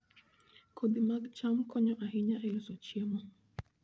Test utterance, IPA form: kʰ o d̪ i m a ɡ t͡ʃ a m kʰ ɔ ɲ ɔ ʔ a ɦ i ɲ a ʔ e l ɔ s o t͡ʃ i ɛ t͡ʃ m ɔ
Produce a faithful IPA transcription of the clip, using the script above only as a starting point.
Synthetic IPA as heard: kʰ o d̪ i m a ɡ t͡ʃ a m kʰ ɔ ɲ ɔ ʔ a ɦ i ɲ a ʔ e l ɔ s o t͡ʃ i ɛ m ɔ